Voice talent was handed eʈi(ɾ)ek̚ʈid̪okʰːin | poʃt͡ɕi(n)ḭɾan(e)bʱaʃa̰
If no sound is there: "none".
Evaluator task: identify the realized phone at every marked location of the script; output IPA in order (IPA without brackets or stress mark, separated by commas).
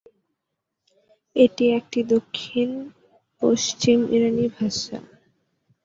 none, m, i